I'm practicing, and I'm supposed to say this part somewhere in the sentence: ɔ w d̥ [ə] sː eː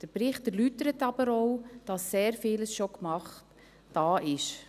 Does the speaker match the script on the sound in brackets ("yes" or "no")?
no